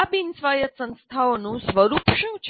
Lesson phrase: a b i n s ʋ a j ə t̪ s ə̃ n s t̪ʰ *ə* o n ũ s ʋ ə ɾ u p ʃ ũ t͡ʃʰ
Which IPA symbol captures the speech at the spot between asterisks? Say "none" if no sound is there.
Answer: a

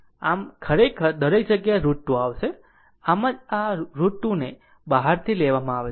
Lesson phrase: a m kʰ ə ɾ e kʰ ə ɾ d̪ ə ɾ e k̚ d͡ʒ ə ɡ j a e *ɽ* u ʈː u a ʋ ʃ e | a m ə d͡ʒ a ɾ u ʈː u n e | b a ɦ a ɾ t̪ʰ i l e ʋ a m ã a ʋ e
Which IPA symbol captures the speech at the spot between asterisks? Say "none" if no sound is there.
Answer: ɾ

